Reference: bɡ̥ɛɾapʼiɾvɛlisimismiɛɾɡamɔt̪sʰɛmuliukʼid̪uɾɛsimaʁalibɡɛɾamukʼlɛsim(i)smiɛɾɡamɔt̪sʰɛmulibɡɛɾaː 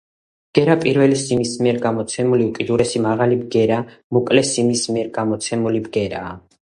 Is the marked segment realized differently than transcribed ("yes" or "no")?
no